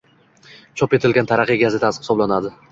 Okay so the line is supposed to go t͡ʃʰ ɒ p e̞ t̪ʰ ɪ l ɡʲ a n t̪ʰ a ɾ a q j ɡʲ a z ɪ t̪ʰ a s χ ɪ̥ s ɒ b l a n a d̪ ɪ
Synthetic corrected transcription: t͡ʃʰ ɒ p e̞ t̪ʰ ɪ l ɡʲ a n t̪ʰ a ɾ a q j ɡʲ a z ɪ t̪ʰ a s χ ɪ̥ s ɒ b l a n a d̪ ɪ